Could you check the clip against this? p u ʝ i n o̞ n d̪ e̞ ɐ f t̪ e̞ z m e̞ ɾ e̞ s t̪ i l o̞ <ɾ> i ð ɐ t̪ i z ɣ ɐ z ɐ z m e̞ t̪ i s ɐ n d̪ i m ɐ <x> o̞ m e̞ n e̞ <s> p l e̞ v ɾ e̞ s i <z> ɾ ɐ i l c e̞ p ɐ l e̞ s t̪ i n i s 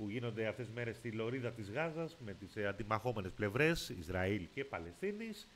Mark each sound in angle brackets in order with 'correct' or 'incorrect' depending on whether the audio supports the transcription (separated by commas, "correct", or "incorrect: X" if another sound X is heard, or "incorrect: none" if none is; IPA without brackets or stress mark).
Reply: correct, correct, correct, correct